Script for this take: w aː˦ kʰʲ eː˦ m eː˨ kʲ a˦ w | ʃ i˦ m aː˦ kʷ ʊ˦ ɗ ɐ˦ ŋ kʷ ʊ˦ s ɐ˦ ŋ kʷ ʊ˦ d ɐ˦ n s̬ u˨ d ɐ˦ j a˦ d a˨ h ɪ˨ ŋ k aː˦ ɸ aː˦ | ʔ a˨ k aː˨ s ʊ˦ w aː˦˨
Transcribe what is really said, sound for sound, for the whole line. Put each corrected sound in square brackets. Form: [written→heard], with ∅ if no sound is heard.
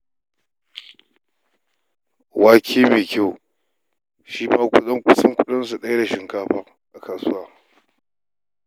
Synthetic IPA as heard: w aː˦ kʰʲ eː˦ m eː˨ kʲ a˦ w | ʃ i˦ m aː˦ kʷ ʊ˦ ɗ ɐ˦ ŋ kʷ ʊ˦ s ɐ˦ ŋ kʷ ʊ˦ [d→ɗ] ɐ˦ n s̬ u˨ [d→ɗ] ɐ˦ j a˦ d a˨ [h→ʃ] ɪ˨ ŋ k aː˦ ɸ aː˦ | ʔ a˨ k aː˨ s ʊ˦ w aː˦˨